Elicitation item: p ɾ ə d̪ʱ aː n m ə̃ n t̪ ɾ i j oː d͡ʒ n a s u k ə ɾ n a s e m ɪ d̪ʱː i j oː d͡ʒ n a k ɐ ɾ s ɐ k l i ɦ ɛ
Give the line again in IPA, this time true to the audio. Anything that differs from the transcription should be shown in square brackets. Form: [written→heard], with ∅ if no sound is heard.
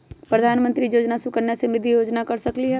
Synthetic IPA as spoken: p ɾ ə d̪ʱ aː n m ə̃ n t̪ ɾ i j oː d͡ʒ n a s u k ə ɾ n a s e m ɪ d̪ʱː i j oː d͡ʒ n a k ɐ ɾ s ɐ k l i ɦ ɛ